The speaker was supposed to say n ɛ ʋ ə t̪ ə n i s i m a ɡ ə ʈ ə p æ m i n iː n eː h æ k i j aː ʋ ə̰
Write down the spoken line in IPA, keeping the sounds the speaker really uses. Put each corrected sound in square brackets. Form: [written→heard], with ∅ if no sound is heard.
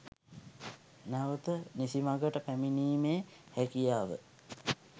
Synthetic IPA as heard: n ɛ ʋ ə t̪ ə n i s i m a ɡ ə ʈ ə p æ m i n iː [n→m] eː h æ k i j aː ʋ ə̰